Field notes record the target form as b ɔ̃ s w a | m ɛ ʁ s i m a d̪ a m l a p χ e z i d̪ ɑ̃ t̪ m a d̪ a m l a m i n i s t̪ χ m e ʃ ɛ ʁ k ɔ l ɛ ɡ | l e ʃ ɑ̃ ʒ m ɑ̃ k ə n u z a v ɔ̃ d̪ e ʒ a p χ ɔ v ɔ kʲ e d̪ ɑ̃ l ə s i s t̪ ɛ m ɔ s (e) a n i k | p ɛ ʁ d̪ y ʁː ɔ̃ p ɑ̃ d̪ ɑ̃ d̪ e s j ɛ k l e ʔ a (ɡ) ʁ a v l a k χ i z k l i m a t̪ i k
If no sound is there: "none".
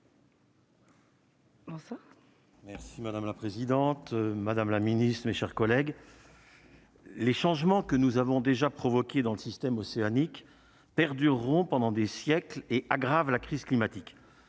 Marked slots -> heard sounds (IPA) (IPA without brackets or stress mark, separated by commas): e, ɡ